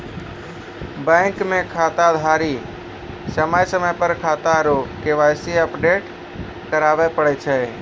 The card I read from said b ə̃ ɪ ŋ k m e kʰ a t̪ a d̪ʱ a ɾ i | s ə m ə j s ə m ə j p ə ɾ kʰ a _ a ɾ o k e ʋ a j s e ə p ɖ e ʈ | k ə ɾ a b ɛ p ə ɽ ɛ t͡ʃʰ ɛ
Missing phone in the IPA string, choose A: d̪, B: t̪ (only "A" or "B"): B